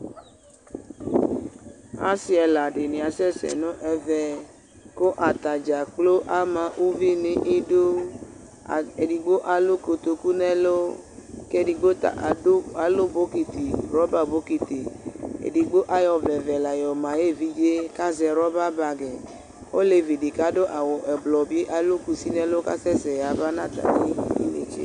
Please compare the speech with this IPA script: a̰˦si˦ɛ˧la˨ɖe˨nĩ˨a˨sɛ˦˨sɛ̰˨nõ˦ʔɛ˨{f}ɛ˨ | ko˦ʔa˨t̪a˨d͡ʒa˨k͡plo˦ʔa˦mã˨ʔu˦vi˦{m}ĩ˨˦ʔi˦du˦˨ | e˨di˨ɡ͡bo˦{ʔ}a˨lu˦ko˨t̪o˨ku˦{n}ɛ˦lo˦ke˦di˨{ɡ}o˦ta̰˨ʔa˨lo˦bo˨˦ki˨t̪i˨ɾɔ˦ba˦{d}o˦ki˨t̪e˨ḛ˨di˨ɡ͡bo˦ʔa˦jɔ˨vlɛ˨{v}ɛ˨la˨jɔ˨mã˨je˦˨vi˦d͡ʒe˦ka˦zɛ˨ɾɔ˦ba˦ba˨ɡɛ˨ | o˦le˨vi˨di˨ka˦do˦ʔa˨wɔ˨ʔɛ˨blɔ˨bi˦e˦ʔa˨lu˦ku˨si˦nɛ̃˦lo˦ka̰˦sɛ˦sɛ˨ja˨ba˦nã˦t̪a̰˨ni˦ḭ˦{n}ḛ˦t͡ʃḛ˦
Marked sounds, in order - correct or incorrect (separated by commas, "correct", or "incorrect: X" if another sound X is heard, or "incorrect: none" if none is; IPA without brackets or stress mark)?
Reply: incorrect: v, incorrect: n, correct, correct, incorrect: ɡ͡b, incorrect: b, correct, correct